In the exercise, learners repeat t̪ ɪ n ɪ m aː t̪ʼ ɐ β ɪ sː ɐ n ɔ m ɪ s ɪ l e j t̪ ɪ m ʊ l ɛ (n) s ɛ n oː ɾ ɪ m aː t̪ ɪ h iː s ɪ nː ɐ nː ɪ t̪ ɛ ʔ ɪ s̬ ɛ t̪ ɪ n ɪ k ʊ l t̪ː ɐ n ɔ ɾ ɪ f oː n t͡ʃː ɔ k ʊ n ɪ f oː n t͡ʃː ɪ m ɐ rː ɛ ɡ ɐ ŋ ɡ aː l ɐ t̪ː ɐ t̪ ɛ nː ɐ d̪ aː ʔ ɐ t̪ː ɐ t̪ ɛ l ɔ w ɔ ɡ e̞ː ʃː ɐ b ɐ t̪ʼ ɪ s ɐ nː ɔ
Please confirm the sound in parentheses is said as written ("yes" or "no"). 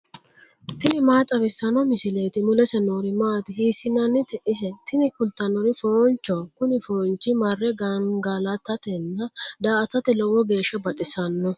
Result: no